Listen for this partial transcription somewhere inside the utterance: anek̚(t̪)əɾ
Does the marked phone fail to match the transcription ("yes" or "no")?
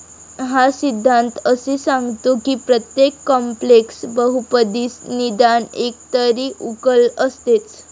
no